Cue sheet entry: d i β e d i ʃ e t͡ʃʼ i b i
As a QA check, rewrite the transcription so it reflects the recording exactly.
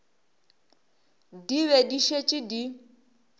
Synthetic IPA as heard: d i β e d i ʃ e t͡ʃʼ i d i